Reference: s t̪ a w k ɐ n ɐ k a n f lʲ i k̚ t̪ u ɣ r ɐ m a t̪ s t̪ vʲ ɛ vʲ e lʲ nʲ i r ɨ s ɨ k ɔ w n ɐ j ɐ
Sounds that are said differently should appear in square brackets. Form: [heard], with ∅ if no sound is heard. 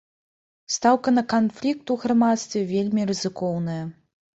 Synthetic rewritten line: s t̪ a w k ɐ n ɐ k a n f lʲ i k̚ t̪ u ɣ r [a] m a t̪ s t̪ vʲ ɛ vʲ e lʲ [mʲ] i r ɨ [z] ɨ k ɔ w n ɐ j ɐ